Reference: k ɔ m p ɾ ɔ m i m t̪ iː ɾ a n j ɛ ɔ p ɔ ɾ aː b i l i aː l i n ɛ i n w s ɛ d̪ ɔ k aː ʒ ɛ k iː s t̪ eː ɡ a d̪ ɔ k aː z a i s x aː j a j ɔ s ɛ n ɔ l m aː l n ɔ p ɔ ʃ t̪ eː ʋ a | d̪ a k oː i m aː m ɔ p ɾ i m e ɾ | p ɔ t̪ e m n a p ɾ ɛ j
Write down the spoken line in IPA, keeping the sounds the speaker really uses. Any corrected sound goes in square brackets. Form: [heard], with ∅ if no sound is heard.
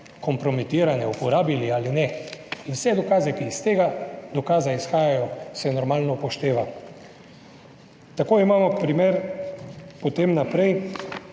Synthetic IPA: k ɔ m p ɾ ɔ m i [∅] t̪ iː ɾ a n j ɛ [u] p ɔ ɾ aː b i l i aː l i n ɛ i n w s ɛ d̪ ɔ k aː [z] ɛ k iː s t̪ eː ɡ a d̪ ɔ k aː z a i s x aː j a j ɔ s ɛ n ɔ [ɾ] m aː l n ɔ p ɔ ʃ t̪ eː ʋ a | [t̪] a k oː i m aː m ɔ p ɾ i m e ɾ | p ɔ t̪ e m n a p ɾ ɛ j